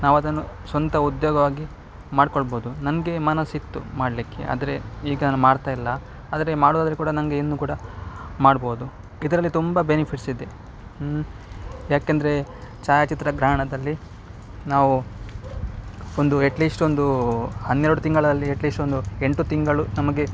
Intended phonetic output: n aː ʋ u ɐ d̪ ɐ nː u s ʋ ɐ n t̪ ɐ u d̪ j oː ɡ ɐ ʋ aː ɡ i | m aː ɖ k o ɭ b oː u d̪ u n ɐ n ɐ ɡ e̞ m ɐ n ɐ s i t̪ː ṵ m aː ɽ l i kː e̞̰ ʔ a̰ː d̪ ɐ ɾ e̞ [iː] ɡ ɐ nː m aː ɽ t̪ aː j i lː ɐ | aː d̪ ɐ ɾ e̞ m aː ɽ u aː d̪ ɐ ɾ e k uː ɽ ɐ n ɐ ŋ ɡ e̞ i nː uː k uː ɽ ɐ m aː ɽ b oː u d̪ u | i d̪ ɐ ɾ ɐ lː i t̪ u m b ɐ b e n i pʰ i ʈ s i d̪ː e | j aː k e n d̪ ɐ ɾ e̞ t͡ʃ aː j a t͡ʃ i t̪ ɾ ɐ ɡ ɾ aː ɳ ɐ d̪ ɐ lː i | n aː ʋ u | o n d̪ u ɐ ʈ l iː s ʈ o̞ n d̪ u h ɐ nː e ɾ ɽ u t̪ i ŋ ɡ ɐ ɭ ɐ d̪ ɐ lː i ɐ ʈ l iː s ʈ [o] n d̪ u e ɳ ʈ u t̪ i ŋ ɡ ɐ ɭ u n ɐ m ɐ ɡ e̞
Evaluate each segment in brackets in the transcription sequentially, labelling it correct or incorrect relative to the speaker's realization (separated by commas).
correct, correct